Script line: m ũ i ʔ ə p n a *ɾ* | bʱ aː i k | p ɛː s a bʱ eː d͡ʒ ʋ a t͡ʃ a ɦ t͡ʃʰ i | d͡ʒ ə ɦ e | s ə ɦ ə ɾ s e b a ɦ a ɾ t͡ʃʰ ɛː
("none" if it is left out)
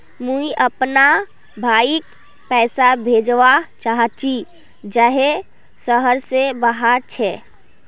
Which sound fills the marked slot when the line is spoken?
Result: none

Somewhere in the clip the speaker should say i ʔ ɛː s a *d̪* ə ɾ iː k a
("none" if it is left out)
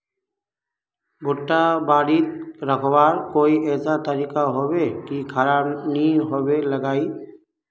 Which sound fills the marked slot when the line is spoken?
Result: t̪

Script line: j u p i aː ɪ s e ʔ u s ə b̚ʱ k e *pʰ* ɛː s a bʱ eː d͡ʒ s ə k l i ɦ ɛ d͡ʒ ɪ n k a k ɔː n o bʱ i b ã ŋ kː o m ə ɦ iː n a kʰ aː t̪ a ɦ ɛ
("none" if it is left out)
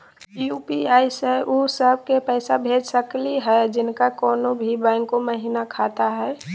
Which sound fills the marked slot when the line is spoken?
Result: p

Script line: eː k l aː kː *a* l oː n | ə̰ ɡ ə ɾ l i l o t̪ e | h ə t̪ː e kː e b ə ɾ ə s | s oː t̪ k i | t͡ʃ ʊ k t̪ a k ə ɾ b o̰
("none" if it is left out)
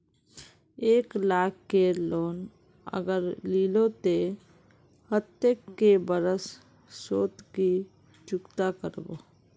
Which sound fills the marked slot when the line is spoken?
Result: e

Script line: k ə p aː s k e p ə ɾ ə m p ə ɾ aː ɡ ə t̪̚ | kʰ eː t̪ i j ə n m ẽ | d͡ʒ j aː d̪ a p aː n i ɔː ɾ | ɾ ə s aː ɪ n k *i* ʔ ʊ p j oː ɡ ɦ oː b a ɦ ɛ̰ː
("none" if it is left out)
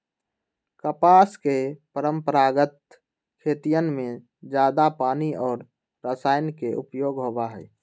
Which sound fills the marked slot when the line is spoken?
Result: e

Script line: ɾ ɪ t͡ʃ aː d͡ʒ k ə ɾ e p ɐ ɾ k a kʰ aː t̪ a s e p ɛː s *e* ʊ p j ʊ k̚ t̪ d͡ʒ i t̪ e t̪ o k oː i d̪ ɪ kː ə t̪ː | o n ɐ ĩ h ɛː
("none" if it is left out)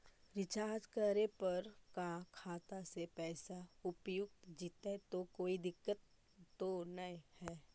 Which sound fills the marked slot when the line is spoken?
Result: a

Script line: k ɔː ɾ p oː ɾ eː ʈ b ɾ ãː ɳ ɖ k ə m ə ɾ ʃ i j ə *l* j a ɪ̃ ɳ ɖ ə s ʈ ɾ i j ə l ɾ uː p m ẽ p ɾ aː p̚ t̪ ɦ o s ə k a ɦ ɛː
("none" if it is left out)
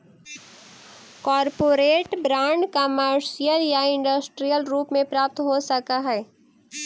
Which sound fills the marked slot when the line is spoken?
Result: l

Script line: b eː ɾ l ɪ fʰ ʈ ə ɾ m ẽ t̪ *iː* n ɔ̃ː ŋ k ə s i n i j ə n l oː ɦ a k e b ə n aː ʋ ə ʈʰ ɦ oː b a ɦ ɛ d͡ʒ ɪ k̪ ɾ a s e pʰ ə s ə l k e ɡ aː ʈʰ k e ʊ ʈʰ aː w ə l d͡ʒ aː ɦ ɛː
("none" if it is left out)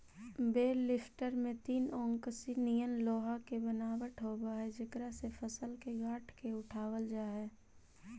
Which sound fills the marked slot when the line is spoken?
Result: iː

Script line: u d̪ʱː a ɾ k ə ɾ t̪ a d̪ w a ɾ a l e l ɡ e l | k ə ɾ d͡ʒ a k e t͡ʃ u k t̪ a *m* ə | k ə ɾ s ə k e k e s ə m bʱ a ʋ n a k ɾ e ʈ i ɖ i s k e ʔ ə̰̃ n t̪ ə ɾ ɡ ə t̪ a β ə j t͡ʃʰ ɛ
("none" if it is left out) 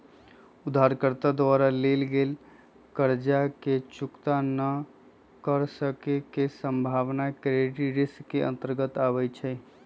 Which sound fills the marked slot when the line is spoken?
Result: n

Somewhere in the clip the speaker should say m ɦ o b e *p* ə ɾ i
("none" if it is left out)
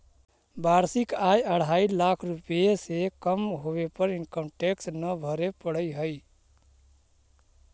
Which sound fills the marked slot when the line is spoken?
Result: p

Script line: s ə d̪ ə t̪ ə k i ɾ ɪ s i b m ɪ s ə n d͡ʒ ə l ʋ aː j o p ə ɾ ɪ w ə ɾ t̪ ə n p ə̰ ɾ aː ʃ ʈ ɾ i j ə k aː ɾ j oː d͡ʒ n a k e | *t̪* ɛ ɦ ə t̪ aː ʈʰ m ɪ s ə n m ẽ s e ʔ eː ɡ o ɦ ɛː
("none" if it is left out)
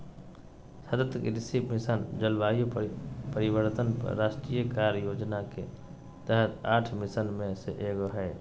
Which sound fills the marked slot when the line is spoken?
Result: t̪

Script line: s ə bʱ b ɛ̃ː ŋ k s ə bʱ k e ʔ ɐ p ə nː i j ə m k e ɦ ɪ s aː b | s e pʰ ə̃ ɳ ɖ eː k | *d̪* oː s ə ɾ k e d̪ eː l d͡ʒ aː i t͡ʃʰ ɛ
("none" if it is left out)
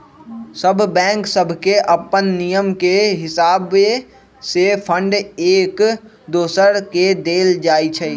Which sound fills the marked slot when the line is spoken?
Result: d̪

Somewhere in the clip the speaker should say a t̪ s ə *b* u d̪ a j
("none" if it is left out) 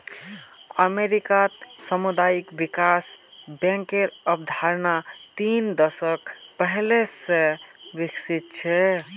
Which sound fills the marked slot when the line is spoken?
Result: m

